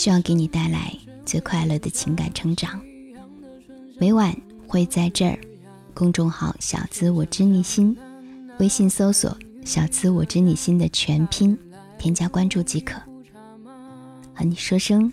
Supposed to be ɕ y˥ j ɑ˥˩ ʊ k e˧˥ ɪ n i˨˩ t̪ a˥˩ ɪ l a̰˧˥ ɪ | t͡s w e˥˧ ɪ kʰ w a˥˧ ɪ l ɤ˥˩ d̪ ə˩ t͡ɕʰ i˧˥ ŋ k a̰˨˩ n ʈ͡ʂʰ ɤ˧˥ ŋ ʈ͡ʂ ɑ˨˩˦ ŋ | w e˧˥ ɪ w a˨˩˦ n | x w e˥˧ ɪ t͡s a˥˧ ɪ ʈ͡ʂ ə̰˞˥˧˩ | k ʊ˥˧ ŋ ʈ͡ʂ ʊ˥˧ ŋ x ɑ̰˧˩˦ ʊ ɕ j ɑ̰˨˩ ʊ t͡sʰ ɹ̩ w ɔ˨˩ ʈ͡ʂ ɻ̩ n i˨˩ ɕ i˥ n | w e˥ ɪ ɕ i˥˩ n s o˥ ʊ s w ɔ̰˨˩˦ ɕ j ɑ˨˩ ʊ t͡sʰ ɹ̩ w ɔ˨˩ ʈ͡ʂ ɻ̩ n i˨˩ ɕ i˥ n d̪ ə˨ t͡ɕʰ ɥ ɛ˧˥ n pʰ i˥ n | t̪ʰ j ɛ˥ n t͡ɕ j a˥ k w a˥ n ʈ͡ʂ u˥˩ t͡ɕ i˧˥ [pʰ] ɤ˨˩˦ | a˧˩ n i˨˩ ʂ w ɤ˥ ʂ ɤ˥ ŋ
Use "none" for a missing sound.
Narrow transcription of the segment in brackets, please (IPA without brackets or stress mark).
kʰ